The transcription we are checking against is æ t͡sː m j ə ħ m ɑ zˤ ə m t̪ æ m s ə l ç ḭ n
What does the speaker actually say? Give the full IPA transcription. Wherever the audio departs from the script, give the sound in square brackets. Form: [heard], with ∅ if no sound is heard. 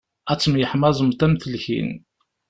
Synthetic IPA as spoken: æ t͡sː m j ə ħ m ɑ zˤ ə m t̪ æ m [θ] ə l ç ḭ n